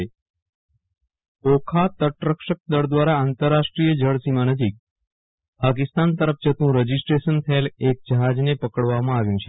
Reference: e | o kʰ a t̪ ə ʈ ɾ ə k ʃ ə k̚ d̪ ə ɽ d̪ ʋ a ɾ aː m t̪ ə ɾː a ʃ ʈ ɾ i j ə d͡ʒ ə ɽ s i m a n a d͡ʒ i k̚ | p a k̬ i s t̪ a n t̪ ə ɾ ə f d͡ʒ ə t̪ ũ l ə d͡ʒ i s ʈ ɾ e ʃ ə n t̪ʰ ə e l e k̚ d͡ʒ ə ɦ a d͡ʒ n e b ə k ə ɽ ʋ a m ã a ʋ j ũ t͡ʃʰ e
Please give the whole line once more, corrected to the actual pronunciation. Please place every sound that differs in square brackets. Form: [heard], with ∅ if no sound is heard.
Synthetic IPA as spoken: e | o kʰ a t̪ ə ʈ ɾ ə k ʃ ə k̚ d̪ ə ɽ d̪ ʋ a ɾ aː [n] t̪ ə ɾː a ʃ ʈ ɾ i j ə d͡ʒ ə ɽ s i m a n [ə] d͡ʒ i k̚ | p a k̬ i s t̪ a n t̪ ə ɾ ə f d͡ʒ ə t̪ ũ [ɾ] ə d͡ʒ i s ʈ ɾ e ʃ ə n t̪ʰ ə e l e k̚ d͡ʒ ə ɦ a d͡ʒ n e [p] ə k ə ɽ ʋ a m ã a ʋ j ũ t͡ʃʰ e